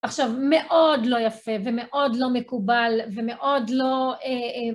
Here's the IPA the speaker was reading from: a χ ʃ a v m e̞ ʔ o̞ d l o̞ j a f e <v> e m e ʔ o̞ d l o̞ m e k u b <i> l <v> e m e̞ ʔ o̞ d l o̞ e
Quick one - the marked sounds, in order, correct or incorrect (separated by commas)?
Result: correct, incorrect, correct